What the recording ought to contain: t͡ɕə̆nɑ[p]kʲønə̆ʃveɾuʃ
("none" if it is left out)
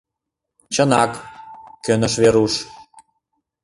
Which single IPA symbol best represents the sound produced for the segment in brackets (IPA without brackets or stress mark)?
k